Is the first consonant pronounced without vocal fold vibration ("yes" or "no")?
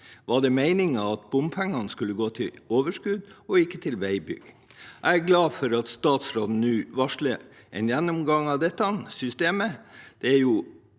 no